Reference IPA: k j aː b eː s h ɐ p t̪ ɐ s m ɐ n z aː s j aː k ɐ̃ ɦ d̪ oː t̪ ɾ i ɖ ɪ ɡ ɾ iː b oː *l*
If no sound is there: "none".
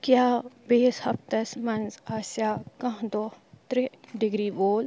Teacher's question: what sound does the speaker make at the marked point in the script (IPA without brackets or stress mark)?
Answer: l